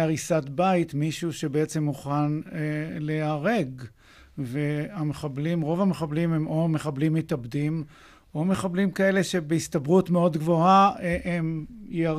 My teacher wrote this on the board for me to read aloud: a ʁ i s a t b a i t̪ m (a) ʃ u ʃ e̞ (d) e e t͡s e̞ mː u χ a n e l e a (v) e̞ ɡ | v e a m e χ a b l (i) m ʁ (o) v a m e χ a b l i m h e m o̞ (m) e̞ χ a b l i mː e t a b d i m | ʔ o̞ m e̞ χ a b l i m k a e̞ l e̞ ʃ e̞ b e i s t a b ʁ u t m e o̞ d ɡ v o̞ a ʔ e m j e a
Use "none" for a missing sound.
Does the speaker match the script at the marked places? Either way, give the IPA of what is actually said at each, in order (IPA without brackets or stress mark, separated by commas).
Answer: i, b, ʁ, i, o, m